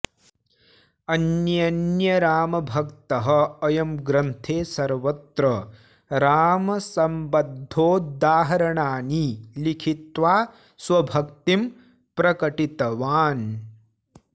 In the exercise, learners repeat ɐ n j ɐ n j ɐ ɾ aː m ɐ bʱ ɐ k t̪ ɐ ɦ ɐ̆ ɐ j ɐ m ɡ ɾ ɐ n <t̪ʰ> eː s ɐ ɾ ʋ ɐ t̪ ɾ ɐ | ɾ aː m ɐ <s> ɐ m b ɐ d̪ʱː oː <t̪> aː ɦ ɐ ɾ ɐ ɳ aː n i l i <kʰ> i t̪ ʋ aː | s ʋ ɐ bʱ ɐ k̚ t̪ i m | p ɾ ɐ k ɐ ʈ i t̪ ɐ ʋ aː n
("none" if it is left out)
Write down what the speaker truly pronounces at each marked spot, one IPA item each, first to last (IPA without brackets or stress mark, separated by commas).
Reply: t̪ʰ, s, d̪, kʰ